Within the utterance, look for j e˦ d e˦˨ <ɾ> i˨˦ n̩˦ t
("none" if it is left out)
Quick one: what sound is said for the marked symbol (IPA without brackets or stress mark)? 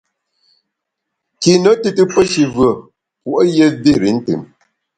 ɾ